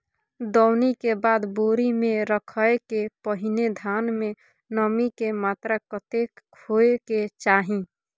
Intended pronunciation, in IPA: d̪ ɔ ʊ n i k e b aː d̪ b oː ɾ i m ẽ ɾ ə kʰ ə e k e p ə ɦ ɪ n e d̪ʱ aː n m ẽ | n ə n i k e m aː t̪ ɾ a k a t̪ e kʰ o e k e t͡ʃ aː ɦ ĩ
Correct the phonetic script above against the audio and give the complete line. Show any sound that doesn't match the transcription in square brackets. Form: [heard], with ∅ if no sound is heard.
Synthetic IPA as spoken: d̪ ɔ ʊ n i k e b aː d̪ b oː ɾ i m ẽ ɾ ə kʰ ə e k e p ə ɦ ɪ n e d̪ʱ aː n m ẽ | n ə [m] i k e m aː t̪ ɾ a k [ə] t̪ e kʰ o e k e t͡ʃ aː ɦ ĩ

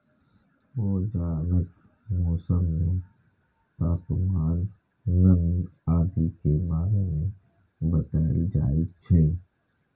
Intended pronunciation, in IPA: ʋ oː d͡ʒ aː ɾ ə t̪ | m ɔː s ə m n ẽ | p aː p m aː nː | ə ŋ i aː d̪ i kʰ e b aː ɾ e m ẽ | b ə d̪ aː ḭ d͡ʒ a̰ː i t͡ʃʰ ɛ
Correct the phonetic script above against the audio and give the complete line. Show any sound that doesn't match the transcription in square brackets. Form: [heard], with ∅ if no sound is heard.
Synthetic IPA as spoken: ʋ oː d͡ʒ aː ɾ ə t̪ | m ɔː s ə m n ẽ | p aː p m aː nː | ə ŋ i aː d̪ i [k] e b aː ɾ e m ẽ | b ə [t̪] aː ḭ d͡ʒ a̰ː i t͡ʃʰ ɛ

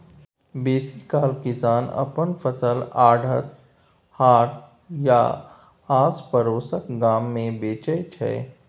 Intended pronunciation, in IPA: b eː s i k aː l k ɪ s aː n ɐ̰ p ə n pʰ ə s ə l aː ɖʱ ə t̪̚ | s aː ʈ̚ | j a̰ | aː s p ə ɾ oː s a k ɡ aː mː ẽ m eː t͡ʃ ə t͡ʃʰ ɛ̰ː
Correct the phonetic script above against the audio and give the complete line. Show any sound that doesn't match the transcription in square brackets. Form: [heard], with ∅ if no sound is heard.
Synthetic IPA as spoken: b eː s i k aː l k ɪ s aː n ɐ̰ p ə n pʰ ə s ə l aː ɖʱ ə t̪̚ | [h] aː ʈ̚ | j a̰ | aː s p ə ɾ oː s [ə] k ɡ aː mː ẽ [b] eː t͡ʃ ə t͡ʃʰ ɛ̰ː

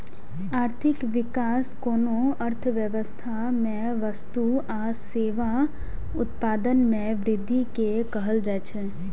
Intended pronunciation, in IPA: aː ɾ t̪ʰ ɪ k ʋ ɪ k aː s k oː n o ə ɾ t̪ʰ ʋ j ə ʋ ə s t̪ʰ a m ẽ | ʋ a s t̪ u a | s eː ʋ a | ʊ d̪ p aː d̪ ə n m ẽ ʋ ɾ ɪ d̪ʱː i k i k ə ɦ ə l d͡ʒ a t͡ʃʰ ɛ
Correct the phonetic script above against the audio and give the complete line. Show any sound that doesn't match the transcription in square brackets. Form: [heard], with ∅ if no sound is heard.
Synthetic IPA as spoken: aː ɾ t̪ʰ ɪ k ʋ ɪ k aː s k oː n o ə ɾ t̪ʰ ʋ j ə ʋ ə s t̪ʰ a m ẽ | ʋ [ə] s t̪ u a | s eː ʋ a | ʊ [t̪] p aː d̪ ə n m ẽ ʋ ɾ ɪ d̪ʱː i k [e] k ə ɦ ə l d͡ʒ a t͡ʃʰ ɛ

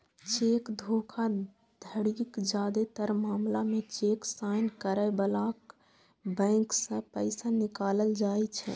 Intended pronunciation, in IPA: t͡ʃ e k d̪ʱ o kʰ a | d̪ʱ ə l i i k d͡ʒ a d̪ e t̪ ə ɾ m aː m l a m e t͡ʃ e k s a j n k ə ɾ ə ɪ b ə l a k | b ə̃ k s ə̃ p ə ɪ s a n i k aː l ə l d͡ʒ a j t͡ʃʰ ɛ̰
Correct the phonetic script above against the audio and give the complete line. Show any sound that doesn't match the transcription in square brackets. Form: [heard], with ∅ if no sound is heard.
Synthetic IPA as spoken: t͡ʃ e k d̪ʱ o kʰ a | d̪ʱ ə [ɽ] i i k d͡ʒ a d̪ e t̪ ə ɾ m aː m l a m e t͡ʃ e k s a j n k ə ɾ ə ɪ b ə l a k | b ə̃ k s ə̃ p ə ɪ s a n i k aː l ə l d͡ʒ a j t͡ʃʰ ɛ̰

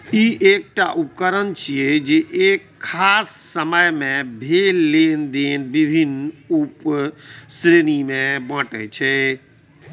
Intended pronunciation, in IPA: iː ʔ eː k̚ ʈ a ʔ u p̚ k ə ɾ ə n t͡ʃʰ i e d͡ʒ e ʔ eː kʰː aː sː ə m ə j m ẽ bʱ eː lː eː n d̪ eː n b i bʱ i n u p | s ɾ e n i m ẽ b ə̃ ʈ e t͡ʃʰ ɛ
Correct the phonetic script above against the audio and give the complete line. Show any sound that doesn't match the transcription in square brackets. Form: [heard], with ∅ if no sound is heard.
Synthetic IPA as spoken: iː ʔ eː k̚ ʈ a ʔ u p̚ k ə ɾ ə n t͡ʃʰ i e d͡ʒ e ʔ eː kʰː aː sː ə m ə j m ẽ bʱ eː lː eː n d̪ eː n b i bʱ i n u p | s ɾ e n i m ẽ b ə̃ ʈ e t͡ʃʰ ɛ

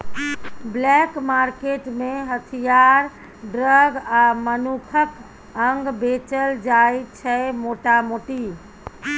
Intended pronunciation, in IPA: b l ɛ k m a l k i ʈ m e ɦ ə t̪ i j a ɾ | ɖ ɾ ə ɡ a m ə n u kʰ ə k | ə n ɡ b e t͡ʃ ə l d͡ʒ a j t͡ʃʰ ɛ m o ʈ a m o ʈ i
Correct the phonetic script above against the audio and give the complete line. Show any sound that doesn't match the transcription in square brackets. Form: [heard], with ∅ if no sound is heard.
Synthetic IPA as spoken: b l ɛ k m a [ɾ] k [e] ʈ m e ɦ ə [t̪ʰ] i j a ɾ | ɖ ɾ ə ɡ a m ə n u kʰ ə k | ə [ŋ] ɡ b e t͡ʃ ə l d͡ʒ a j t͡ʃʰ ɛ m o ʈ a m o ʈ i

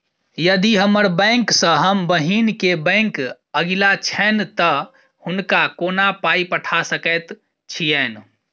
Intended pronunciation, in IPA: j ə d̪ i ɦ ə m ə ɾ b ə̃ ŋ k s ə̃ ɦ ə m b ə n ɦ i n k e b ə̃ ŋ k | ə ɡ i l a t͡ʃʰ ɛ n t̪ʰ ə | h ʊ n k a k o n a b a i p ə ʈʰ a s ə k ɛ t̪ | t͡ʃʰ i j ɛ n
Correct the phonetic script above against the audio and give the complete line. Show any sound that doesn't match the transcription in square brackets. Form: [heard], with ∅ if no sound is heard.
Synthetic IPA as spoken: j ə d̪ i ɦ ə m ə ɾ b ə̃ ŋ k s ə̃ ɦ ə m b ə [∅] ɦ i n k e b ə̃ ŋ k | ə ɡ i l a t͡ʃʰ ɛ n [t̪] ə | h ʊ n k a k o n a [p] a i p ə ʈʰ a s ə k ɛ t̪ | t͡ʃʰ i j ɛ n

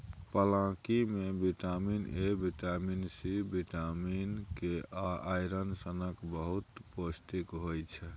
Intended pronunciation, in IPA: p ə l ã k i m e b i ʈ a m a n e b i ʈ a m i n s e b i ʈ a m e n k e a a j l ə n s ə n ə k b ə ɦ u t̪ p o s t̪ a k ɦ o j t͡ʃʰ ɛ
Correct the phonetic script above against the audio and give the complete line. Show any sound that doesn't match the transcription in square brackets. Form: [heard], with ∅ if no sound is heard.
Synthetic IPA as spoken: p ə l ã k i m e b i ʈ a m [i] n e b i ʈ a m i n s [i] b i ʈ a m [i] n k e a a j [ɾ] ə n s ə n ə k b ə ɦ u t̪ p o s t̪ [i] k ɦ o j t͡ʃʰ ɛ

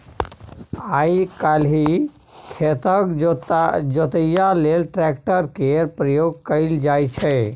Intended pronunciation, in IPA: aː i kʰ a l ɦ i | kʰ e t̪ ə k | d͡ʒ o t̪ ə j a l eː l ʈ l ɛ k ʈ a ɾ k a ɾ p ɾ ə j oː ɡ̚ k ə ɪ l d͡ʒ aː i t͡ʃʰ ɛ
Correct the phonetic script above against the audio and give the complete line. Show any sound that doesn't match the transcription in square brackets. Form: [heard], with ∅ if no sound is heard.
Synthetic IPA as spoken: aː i [k] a l ɦ i | kʰ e t̪ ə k | d͡ʒ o t̪ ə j a l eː l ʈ [ɾ] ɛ k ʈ [ə] ɾ k [e] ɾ p ɾ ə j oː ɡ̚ k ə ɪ l d͡ʒ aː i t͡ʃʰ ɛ

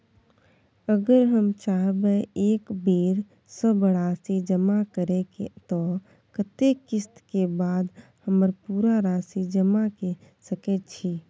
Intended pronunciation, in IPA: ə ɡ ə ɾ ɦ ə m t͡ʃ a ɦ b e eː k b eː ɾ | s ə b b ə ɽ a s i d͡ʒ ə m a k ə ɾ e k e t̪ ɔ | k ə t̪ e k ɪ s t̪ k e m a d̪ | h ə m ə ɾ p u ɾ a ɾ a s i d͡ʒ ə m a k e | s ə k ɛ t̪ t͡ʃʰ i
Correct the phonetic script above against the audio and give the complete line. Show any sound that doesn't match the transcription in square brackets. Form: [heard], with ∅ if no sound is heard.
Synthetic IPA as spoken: ə ɡ ə ɾ ɦ ə m t͡ʃ a ɦ b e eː k b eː ɾ | s ə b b ə ɽ a s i d͡ʒ ə m a k ə ɾ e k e t̪ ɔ | k ə t̪ e k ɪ s t̪ k e [b] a d̪ | h ə m ə ɾ p u ɾ a ɾ a s i d͡ʒ ə m a k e | s ə k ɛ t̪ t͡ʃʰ i

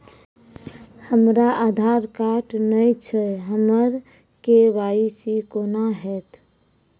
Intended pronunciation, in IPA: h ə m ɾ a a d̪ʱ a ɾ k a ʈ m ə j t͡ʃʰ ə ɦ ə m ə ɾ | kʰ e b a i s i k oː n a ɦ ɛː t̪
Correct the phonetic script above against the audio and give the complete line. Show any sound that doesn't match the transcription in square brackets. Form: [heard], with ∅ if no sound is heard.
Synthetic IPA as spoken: h ə m ɾ a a d̪ʱ a ɾ k a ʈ [n] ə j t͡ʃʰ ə ɦ ə m ə ɾ | [k] e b a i s i k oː n a ɦ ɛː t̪

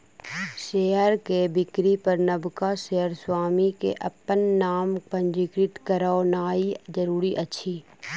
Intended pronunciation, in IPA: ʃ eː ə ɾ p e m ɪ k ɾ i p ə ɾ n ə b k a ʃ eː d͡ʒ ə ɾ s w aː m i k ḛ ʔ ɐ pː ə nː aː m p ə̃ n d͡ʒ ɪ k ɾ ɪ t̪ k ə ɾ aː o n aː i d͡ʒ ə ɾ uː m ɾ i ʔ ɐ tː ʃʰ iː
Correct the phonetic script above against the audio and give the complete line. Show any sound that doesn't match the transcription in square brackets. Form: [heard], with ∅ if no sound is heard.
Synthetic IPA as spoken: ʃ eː ə ɾ [k] e [b] ɪ k ɾ i p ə ɾ n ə b k a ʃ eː [∅] ə ɾ s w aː m i k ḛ ʔ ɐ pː ə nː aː m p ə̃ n d͡ʒ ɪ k ɾ ɪ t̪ k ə ɾ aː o n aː i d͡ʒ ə ɾ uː [∅] ɾ i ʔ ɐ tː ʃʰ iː

